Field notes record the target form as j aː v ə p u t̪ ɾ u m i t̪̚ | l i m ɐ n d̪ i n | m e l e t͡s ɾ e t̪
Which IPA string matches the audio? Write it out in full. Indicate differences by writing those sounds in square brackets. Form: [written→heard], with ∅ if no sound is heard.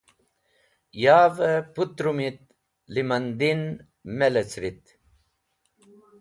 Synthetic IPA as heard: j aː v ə p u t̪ ɾ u m i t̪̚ | l i m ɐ n d̪ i n | m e l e t͡s ɾ [e→i] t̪